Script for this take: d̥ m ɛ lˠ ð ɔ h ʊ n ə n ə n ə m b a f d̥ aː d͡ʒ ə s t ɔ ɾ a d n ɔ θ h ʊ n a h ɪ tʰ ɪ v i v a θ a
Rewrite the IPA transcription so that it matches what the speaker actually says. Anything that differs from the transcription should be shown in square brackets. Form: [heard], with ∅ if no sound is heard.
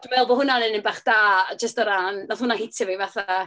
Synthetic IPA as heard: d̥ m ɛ lˠ [v] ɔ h ʊ n [a] n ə n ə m b a [χ] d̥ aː d͡ʒ ə s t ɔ ɾ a [n] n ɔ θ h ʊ n a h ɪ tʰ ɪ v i v a θ a